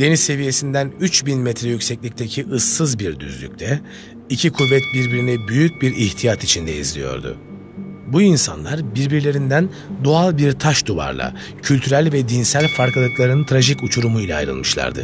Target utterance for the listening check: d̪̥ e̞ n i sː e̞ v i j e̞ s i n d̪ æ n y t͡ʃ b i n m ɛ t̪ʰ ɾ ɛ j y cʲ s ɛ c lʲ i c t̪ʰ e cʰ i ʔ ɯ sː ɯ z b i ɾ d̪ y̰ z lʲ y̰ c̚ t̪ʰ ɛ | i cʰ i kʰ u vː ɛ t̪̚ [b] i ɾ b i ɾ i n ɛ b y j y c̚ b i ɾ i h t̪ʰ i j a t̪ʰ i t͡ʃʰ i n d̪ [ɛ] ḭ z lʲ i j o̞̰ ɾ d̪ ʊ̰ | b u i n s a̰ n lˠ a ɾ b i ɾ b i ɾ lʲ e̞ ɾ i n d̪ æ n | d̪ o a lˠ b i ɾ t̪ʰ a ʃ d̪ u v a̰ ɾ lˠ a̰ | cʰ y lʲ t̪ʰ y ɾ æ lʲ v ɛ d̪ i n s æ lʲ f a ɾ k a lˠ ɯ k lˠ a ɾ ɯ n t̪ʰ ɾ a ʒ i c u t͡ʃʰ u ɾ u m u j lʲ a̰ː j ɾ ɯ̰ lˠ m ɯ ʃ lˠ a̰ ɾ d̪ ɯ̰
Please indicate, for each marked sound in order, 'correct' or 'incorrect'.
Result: correct, correct

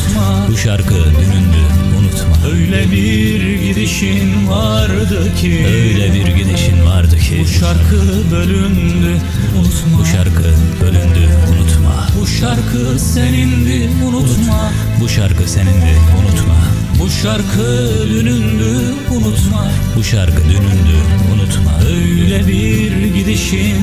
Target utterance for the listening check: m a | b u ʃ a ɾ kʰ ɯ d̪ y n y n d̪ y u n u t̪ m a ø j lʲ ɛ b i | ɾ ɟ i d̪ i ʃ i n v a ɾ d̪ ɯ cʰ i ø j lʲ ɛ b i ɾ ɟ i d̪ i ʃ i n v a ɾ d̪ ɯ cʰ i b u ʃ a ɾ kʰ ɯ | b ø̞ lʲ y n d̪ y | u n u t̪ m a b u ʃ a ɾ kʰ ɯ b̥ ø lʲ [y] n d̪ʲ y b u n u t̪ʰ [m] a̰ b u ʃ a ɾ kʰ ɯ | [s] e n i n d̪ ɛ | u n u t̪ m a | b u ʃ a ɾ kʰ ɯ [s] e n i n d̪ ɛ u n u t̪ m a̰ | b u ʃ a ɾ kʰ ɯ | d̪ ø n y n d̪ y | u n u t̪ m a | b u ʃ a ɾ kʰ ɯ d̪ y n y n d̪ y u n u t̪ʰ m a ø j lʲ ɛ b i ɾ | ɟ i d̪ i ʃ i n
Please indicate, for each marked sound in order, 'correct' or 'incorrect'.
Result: correct, correct, correct, correct

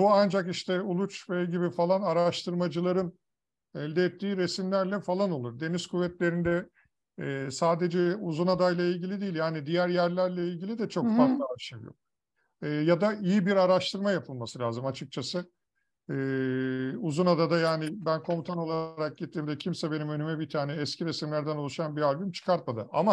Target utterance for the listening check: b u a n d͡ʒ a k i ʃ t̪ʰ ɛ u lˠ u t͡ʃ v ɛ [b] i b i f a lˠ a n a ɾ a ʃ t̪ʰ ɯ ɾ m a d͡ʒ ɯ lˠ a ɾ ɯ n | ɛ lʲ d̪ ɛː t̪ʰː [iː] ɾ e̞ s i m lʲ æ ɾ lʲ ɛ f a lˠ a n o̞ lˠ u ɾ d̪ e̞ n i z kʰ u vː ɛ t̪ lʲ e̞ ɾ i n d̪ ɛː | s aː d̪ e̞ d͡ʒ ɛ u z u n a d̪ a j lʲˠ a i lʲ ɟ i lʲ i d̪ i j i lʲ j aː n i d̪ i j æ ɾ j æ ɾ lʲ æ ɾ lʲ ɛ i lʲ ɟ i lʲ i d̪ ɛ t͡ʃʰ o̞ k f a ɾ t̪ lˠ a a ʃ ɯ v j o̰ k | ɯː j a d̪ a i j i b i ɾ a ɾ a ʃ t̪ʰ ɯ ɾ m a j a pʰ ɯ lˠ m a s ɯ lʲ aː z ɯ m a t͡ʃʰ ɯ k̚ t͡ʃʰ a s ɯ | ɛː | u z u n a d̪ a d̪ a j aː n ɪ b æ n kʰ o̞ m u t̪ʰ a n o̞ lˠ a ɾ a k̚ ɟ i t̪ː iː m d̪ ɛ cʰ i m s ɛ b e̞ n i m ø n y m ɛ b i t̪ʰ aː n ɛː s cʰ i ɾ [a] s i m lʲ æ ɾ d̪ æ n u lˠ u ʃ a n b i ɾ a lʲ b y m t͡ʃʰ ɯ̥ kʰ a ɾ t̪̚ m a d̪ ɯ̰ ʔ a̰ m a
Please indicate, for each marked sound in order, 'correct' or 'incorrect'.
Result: incorrect, correct, incorrect

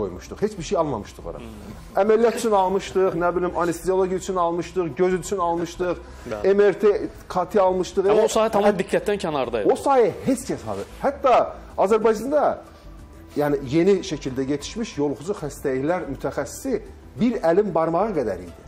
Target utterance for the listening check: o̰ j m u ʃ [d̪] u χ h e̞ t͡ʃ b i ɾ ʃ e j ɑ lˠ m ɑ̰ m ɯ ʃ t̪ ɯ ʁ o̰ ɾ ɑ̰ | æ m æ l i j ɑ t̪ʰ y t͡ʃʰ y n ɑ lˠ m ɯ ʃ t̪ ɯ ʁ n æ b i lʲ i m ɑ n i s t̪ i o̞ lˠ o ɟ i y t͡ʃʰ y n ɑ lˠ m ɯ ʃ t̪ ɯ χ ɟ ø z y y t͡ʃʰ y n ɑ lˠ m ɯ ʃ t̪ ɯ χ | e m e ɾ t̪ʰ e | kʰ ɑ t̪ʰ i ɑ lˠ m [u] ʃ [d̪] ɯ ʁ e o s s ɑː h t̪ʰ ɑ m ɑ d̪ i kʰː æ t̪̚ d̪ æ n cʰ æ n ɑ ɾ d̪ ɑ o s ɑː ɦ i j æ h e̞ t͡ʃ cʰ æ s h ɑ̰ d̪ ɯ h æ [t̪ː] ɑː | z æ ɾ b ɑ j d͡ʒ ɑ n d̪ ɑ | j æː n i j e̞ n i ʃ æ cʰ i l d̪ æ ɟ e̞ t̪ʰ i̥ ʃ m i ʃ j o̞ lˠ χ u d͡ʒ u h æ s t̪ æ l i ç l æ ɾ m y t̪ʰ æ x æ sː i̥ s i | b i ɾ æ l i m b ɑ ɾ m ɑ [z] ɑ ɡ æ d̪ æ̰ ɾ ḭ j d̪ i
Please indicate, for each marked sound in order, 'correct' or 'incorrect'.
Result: incorrect, incorrect, incorrect, correct, incorrect

